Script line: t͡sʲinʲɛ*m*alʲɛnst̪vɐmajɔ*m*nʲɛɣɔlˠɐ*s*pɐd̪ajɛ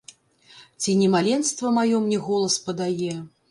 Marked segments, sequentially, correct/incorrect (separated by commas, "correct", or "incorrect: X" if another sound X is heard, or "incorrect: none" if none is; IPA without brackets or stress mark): correct, correct, correct